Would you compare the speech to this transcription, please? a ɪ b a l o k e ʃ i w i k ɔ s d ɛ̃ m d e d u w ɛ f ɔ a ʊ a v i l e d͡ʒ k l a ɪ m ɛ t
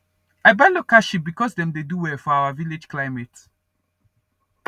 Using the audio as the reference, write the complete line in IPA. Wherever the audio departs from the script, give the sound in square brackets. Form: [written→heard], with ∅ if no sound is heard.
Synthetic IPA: a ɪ b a l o k [e→a] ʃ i [w→b] i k ɔ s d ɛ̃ m d e d u w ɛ f ɔ a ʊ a v i l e d͡ʒ k l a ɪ m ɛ t